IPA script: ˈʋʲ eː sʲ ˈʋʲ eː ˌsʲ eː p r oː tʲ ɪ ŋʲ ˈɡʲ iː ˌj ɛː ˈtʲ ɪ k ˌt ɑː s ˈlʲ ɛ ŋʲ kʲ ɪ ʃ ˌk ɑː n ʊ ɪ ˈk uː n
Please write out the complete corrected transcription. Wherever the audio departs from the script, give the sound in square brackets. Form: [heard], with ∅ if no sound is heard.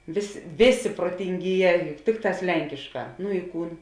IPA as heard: ˈʋʲ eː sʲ ˈʋʲ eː ˌsʲ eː p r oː tʲ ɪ ŋʲ ˈɡʲ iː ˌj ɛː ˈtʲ ɪ k ˌt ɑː s ˈlʲ ɛ ŋʲ kʲ ɪ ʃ ˌk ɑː n ʊ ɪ ˈk uː n